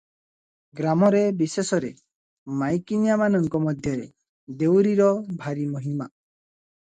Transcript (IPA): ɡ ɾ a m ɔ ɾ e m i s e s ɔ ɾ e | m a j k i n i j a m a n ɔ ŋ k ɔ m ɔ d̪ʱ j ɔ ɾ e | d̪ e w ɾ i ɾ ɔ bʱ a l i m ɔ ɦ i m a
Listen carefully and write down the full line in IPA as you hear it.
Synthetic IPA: ɡ ɾ a m ɔ ɾ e b i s e s ɔ ɾ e | m a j k i n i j a m a n ɔ ŋ k ɔ m ɔ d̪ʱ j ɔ ɾ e | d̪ e w ɾ i ɾ ɔ bʱ a ɾ i m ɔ ɦ i m a